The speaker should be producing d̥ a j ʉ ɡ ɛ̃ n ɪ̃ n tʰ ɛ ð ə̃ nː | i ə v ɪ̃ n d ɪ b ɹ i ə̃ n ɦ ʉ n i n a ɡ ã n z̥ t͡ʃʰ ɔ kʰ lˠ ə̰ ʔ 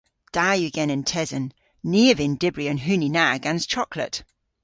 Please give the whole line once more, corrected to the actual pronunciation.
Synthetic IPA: d̥ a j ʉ ɡ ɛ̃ n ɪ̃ n tʰ ɛ z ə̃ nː | i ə v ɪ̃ n d ɪ b ɹ i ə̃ n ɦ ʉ n i n a ɡ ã n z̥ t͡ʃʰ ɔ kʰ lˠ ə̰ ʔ

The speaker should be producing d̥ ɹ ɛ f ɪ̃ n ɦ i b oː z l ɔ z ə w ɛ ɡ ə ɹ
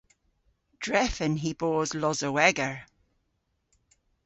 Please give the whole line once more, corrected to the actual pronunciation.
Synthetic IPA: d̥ ɹ ɛ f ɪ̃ n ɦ i b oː z l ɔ z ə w ɛ ɡ ə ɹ

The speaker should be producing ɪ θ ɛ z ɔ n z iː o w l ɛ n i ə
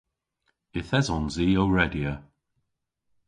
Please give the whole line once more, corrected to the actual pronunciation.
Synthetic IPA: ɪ θ ɛ z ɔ n z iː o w ɹ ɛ d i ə

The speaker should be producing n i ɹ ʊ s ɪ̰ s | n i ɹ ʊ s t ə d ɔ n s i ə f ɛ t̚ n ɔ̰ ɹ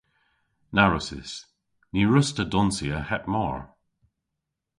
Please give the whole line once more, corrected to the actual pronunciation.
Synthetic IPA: n a ɹ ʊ s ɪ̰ s | n i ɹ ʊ s t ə d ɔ n s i ə h ɛ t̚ m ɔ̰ ɹ

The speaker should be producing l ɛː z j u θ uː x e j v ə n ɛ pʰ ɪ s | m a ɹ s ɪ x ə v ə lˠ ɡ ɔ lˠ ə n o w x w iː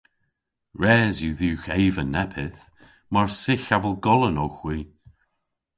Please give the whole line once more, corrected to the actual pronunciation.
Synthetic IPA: ɹ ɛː z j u ð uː x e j v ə n ɛ pʰ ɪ θ | m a ɹ s ɪ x a v ə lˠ ɡ ɔ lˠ ə n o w x w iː

